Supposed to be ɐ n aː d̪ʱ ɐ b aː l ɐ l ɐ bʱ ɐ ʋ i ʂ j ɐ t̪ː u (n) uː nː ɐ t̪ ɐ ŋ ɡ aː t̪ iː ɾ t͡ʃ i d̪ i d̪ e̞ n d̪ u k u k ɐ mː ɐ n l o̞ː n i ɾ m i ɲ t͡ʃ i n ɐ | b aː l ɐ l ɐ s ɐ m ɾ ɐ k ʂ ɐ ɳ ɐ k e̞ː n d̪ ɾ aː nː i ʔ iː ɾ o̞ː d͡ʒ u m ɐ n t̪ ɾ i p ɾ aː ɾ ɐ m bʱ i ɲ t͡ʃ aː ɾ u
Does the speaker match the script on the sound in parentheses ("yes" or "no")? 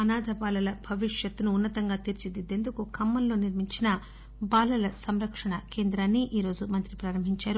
yes